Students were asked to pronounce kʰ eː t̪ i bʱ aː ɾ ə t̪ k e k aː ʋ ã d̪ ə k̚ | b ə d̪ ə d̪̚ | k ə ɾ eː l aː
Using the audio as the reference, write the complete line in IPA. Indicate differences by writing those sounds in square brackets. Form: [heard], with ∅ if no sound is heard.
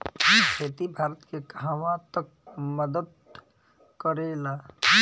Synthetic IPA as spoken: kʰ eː t̪ i bʱ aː ɾ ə t̪ k e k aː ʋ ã [t̪] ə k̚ | [m] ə d̪ ə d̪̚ | k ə ɾ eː l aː